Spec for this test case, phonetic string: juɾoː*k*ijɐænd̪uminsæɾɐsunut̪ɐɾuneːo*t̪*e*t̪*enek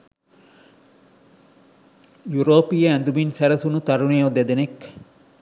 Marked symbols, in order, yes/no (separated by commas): no, no, no